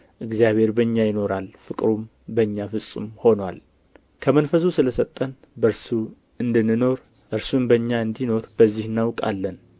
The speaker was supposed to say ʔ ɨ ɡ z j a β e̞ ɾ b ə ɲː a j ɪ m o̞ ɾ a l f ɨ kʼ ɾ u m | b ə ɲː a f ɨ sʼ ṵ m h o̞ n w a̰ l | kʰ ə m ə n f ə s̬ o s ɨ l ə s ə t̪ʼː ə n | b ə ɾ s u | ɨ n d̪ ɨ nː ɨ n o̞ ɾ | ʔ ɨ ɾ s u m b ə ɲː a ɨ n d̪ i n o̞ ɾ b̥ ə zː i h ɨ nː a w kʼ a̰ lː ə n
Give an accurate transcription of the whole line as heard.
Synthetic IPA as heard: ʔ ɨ ɡ z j a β e̞ ɾ b ə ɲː a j ɪ n o̞ ɾ a l f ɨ kʼ ɾ u m | b ə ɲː a f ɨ sʼ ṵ m h o̞ n w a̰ l | kʰ ə m ə n f ə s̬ u s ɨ l ə s ə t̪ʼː ə n | b ə ɾ s u | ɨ n d̪ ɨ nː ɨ n o̞ ɾ | ʔ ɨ ɾ s u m b ə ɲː a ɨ n d̪ i n o̞ ɾ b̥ ə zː i h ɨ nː a w kʼ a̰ lː ə n